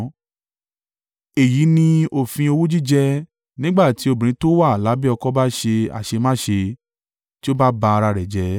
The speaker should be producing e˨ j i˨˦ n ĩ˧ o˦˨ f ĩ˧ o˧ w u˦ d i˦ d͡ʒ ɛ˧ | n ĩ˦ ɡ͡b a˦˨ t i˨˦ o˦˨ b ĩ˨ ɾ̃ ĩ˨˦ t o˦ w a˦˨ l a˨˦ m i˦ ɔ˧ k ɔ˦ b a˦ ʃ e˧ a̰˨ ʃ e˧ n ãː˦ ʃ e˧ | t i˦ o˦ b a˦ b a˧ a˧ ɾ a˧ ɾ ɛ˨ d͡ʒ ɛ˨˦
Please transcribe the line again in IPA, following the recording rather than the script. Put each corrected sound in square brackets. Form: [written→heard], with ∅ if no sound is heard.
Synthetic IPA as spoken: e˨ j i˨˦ n ĩ˧ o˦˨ f ĩ˧ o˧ w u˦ [d→d͡ʒ] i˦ d͡ʒ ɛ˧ | n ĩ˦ ɡ͡b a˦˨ t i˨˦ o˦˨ b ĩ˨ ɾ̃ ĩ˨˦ t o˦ w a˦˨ l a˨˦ [m→b] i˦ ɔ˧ k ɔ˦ b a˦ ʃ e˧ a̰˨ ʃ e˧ [n→m] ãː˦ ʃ e˧ | t i˦ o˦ b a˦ b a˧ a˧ ɾ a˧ ɾ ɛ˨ d͡ʒ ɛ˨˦